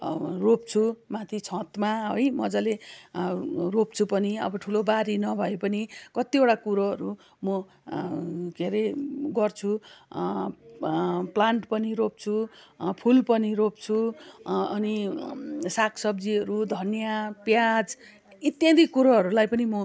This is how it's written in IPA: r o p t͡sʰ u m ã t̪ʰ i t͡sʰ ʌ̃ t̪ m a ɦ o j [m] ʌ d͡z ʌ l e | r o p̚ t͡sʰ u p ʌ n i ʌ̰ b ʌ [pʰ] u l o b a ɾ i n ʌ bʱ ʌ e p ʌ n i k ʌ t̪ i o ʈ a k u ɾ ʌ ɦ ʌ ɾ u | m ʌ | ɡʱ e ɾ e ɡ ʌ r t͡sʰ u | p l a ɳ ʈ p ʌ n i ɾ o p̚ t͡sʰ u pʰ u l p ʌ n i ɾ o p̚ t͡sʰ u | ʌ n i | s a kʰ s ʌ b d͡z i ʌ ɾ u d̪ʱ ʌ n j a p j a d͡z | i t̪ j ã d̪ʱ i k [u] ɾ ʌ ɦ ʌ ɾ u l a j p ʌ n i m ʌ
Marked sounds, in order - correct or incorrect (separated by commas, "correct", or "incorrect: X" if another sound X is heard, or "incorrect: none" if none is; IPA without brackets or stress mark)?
correct, incorrect: ʈʰ, correct